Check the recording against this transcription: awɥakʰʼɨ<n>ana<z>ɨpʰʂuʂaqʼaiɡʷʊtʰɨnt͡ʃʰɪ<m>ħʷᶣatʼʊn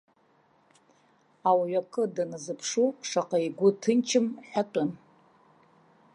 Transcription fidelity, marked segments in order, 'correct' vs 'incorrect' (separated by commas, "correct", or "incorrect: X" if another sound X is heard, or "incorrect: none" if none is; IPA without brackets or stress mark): incorrect: d, correct, correct